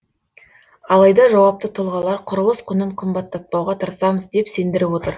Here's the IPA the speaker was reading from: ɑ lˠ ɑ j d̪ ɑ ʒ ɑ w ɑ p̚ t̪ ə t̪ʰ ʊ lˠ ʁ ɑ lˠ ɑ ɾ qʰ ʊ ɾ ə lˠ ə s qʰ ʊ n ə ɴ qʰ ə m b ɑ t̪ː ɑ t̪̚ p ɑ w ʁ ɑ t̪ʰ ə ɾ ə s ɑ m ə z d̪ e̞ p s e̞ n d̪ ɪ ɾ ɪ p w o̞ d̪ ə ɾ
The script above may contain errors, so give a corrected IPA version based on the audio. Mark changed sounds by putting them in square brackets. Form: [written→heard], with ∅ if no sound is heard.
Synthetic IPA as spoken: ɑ lˠ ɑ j d̪ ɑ ʒ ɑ w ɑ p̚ t̪ ə t̪ʰ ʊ lˠ ʁ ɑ lˠ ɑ ɾ qʰ ʊ ɾ ə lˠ ə s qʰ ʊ n ə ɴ qʰ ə m b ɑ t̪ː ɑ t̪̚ p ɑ w ʁ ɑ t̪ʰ ə ɾ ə s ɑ m ə z d̪ e̞ p s e̞ n d̪ ɪ ɾ ɪ p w o̞ [d̪→t̪] ə ɾ